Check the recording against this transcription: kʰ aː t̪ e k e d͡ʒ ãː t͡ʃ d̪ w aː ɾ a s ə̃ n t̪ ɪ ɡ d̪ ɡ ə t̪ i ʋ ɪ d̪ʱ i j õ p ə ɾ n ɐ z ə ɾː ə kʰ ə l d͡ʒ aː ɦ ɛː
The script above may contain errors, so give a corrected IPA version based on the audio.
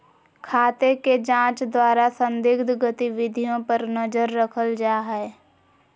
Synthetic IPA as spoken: kʰ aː t̪ e k e d͡ʒ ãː t͡ʃ d̪ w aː ɾ a s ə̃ n d̪ ɪ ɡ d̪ ɡ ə t̪ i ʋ ɪ d̪ʱ i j õ p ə ɾ n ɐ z ə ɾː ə kʰ ə l d͡ʒ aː ɦ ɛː